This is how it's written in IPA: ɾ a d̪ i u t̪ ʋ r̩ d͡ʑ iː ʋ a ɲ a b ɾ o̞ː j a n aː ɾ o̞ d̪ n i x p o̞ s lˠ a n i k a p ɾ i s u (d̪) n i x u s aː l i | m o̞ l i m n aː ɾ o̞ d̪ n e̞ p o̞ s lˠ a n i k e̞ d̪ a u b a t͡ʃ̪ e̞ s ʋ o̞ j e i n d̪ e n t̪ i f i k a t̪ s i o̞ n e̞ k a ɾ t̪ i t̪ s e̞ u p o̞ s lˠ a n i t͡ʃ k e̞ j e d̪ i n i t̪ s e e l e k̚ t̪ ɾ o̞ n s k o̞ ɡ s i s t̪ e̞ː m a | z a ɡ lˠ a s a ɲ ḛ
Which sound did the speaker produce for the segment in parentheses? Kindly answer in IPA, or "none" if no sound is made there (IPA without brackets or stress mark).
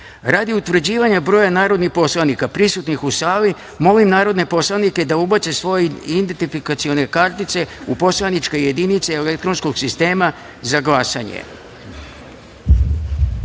t̪